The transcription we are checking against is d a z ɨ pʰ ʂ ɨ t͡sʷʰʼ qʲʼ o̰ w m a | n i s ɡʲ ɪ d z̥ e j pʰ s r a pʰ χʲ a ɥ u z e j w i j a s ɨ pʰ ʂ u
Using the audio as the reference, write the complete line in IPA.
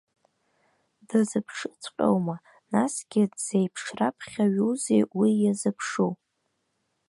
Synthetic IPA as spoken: d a z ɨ pʰ ʂ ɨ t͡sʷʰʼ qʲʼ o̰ w m a | n a s ɡʲ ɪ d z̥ e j pʰ ʂ r a pʰ χʲ a ɥ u z e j w i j a z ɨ pʰ ʂ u